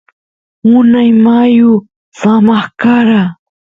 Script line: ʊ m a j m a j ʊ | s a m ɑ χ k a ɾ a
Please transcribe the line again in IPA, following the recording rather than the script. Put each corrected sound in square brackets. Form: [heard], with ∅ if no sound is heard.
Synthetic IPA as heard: ʊ [n] a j m a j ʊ | s a m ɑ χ k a ɾ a